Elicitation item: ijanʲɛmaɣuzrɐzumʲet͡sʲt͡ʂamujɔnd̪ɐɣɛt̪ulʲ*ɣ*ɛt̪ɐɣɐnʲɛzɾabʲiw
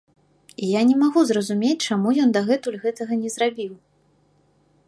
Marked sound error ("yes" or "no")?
no